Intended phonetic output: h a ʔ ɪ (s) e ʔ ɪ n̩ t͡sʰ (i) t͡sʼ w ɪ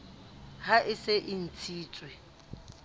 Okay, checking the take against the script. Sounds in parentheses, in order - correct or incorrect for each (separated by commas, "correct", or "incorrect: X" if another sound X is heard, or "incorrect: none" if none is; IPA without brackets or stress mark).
correct, incorrect: iː